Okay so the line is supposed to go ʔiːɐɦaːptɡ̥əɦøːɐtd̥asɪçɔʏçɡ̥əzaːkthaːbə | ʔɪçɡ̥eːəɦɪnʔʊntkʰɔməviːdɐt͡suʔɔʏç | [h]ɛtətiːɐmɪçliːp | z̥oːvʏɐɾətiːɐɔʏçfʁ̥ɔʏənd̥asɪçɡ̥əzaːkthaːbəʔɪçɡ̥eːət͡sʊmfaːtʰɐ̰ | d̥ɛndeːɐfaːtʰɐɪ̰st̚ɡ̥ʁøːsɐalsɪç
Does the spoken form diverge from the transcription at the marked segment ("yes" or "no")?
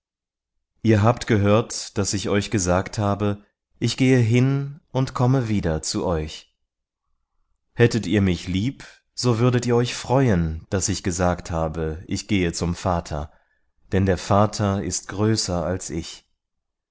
no